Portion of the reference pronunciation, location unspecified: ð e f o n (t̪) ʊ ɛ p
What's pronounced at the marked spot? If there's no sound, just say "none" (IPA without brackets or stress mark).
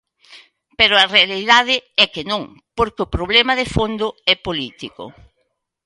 d̪